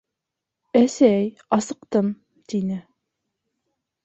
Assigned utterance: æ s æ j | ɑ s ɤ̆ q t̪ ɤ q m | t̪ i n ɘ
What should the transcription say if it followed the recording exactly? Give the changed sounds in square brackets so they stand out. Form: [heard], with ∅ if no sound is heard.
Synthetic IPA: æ s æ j | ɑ s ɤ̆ q t̪ ɤ [∅] m | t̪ i n ɘ